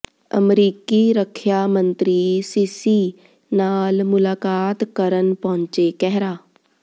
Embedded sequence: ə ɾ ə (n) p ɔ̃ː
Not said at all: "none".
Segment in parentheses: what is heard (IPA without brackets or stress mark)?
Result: n